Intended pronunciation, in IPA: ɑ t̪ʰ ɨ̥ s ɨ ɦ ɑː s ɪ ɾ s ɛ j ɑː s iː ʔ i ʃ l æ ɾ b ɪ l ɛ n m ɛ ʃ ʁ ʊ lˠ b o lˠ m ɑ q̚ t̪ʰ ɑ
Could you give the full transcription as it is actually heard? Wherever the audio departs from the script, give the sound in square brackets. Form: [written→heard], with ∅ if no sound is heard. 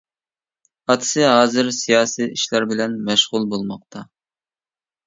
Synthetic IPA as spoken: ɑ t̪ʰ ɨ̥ s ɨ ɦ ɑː [s→z] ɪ ɾ s [ɛ→i] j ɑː s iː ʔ i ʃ l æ ɾ b ɪ l ɛ n m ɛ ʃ ʁ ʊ lˠ b o lˠ m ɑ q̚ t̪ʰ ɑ